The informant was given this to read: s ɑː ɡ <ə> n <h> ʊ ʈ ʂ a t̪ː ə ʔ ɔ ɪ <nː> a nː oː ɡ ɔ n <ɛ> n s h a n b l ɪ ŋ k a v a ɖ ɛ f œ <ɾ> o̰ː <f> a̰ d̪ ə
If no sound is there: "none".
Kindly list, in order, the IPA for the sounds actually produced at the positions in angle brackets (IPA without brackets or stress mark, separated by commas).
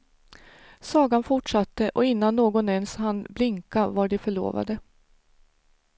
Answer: a, f, nː, ɛ, ɭ, v